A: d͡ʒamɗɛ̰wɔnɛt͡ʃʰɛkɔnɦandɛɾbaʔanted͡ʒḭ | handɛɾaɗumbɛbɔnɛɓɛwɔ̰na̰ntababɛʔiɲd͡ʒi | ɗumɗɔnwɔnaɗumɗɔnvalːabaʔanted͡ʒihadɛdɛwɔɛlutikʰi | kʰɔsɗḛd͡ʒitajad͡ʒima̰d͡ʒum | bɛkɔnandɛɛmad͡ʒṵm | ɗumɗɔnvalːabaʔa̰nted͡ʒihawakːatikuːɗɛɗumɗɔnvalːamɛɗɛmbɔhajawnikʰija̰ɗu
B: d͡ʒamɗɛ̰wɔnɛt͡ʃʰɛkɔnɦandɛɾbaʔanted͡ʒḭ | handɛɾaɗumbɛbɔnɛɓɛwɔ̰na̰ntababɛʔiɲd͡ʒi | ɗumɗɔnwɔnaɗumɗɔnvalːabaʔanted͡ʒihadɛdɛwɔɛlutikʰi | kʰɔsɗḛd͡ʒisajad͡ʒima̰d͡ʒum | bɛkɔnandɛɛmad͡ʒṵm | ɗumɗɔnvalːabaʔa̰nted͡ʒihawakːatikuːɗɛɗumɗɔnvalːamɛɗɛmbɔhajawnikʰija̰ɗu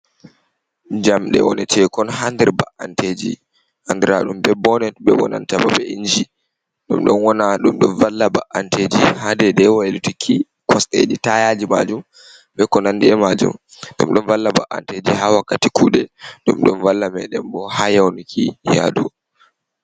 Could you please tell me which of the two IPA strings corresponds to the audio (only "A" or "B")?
A